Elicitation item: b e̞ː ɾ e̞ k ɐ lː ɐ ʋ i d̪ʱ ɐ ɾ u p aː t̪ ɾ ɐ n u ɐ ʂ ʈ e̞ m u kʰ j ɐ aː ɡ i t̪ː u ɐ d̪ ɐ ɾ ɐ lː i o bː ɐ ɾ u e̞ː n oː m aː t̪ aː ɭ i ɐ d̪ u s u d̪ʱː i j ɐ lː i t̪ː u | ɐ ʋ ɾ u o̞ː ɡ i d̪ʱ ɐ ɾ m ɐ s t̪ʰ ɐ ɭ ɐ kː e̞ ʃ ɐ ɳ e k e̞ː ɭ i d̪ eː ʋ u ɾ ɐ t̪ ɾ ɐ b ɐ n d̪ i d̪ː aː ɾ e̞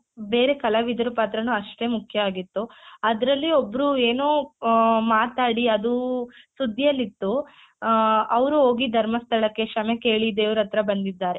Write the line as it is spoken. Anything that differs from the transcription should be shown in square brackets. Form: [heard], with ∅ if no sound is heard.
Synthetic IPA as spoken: b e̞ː ɾ e̞ k ɐ [l] ɐ ʋ i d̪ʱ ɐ ɾ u p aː t̪ ɾ ɐ n u ɐ ʂ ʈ e̞ m u kʰ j ɐ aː ɡ i t̪ː u ɐ d̪ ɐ ɾ ɐ lː i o bː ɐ ɾ u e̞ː n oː m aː t̪ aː [ɽ] i ɐ d̪ u s u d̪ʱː i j ɐ lː i t̪ː u | ɐ ʋ ɾ u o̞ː ɡ i d̪ʱ ɐ ɾ m ɐ s t̪ʰ ɐ ɭ ɐ kː e̞ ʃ ɐ [m] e k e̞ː ɭ i d̪ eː ʋ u ɾ ɐ t̪ ɾ ɐ b ɐ n d̪ i d̪ː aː ɾ e̞